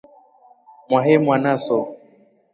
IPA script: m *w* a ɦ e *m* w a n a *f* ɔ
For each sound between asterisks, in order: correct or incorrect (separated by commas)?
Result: correct, correct, incorrect